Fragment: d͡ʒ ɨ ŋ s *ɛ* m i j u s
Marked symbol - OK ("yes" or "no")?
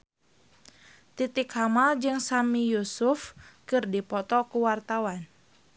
no